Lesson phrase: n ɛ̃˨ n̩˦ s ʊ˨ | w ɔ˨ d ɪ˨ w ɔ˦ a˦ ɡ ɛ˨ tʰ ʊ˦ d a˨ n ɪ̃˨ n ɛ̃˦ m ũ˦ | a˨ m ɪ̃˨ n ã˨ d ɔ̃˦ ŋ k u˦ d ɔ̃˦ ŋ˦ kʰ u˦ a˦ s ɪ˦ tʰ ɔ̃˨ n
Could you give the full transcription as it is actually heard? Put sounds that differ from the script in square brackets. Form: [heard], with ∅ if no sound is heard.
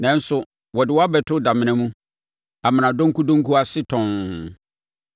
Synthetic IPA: n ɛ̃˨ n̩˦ s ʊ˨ | w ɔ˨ d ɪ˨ w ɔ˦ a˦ [b] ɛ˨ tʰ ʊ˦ d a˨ [m] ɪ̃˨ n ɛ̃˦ m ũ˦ | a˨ m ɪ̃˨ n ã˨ d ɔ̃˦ ŋ k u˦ d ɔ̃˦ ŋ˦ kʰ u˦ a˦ s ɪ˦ tʰ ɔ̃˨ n